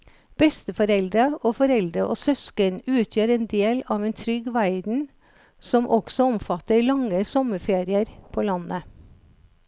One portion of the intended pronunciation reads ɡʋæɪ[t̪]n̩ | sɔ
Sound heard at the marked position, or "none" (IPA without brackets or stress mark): d̪